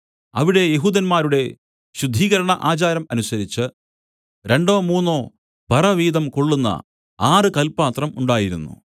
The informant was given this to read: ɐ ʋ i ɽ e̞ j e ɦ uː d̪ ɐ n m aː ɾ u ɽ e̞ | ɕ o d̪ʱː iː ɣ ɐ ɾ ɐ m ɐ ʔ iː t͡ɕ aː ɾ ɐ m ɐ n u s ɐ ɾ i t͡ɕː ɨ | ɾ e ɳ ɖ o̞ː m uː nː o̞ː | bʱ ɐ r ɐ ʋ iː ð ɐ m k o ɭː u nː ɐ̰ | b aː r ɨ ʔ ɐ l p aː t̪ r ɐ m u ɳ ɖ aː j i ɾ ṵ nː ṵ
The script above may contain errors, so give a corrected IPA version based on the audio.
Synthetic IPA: ɐ ʋ i ɽ e̞ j e ɦ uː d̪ ɐ n m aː ɾ u ɽ e̞ | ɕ u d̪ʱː iː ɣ ɐ ɾ ɐ ɳ ɐ ʔ aː t͡ɕ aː ɾ ɐ m ɐ n u s ɐ ɾ i t͡ɕː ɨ | ɾ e ɳ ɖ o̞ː m uː nː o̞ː | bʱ ɐ r ɐ ʋ iː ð ɐ m k o ɭː u nː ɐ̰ | b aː r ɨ k ɐ l p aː t̪ r ɐ m u ɳ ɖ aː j i ɾ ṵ nː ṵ